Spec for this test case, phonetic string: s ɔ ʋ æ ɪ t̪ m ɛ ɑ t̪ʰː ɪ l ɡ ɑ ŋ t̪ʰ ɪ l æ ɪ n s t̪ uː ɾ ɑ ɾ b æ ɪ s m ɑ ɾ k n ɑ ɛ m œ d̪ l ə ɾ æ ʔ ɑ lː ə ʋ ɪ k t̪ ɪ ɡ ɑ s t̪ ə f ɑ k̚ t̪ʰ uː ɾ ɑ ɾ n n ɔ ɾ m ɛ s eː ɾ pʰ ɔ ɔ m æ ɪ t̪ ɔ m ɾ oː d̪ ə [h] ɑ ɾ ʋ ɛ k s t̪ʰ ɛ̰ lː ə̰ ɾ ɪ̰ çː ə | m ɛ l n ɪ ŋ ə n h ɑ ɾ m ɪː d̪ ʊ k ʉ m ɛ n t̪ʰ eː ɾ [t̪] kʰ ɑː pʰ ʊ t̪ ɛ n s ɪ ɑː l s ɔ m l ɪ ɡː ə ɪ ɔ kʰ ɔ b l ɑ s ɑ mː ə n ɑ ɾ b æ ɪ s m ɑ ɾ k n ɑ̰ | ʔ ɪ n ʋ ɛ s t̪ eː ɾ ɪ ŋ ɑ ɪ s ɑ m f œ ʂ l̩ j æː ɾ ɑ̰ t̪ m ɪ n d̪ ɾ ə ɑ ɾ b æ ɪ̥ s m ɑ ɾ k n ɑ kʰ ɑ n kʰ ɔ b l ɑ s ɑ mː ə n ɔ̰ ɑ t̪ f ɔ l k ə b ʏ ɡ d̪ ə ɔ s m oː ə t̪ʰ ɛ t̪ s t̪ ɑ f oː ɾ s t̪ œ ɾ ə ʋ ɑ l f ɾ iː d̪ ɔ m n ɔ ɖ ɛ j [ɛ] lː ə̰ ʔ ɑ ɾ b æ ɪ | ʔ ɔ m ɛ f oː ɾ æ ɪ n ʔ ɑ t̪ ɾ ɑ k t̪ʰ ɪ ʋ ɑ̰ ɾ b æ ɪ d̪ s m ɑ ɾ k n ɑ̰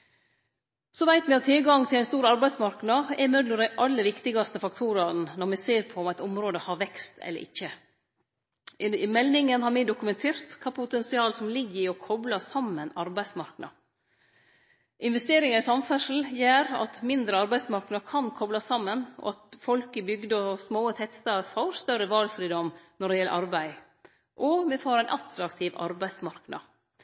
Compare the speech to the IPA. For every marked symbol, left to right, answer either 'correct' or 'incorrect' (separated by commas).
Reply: correct, correct, correct